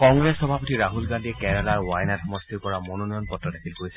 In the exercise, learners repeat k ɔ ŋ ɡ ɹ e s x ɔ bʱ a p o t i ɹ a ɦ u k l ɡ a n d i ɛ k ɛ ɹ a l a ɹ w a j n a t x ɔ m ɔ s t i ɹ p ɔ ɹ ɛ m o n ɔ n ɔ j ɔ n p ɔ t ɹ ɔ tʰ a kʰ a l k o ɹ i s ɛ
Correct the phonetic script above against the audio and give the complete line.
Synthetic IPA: k ɔ ŋ ɡ ɹ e s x ɔ bʱ a p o t i ɹ a ɦ u l ɡ a n d i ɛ k ɛ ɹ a l a ɹ w a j n a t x ɔ m ɔ s t i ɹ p ɔ ɹ a m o n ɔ n ɔ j ɔ n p ɔ t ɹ ɔ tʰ a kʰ i l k o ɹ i s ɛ